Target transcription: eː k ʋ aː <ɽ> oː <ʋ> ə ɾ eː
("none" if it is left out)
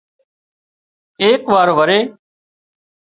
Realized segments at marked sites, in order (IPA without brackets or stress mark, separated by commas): ɾ, ʋ